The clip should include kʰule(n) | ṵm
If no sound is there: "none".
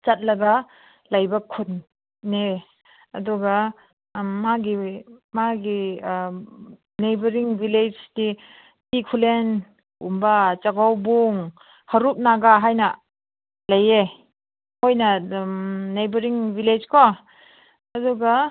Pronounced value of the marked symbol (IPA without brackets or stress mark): n